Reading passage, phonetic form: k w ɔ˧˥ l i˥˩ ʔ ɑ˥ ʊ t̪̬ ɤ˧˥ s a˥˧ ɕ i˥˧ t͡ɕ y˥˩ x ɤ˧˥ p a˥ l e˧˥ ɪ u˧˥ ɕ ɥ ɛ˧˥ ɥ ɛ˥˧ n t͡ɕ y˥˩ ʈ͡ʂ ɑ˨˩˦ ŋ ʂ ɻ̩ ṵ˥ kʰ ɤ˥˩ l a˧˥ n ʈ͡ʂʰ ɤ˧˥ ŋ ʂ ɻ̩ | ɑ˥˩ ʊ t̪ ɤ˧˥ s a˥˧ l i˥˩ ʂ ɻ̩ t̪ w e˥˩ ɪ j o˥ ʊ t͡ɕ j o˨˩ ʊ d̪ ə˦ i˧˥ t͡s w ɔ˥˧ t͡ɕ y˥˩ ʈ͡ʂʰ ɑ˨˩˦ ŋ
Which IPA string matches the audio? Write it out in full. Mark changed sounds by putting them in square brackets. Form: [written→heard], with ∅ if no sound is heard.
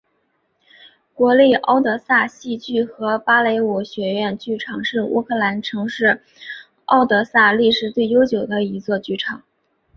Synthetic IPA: k w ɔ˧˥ l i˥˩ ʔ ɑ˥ ʊ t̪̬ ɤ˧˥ s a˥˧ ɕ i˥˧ t͡ɕ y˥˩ x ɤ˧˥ p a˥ l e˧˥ ɪ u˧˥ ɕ ɥ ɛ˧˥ ɥ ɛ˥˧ n t͡ɕ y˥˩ [ʈ͡ʂ→ʈ͡ʂʰ] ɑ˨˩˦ ŋ ʂ ɻ̩ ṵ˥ kʰ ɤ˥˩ l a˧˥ n ʈ͡ʂʰ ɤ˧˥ ŋ ʂ ɻ̩ | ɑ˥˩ ʊ t̪ ɤ˧˥ s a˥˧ l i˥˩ ʂ ɻ̩ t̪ w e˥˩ ɪ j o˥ ʊ t͡ɕ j o˨˩ ʊ d̪ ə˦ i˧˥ t͡s w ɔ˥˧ t͡ɕ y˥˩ ʈ͡ʂʰ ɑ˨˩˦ ŋ